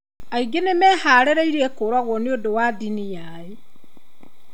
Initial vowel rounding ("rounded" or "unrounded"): unrounded